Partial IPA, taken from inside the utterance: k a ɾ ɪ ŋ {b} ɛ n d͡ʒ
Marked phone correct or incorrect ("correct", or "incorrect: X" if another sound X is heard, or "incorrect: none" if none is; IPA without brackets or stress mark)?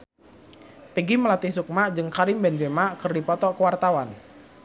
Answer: correct